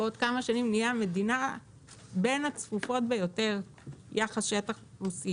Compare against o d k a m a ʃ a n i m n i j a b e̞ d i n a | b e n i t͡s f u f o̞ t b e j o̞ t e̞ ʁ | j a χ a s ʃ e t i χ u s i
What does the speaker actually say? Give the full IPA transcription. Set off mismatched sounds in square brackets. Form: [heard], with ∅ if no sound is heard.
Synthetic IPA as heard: o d k a m a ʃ a n i m n i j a [m] e̞ d i n a | b e n [a] t͡s f u f o̞ t b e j o̞ t e̞ ʁ | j a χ a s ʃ e t [a] χ u s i